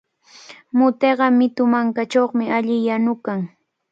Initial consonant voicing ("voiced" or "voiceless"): voiced